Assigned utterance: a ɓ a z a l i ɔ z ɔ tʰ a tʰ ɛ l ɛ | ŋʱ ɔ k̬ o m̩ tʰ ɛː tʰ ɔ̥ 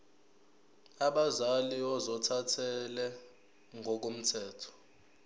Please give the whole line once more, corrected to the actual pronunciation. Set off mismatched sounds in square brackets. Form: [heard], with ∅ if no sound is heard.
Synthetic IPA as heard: a ɓ a z a l i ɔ z ɔ tʰ a tʰ ɛ l ɛ | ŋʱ ɔ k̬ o m̩ tʰ ɛː tʰ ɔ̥